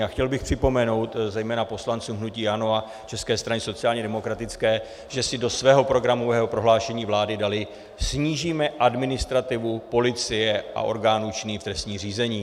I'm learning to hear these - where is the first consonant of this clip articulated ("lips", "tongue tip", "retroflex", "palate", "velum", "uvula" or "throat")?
velum